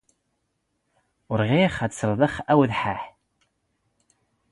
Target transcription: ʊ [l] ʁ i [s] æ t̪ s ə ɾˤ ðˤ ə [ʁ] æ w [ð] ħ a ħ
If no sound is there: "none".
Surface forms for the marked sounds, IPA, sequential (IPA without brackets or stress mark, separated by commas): ɾ, χ, χ, ð